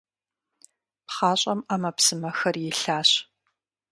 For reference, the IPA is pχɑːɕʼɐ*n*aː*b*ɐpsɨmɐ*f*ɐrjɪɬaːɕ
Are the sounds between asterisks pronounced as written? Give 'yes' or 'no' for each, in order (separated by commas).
no, no, no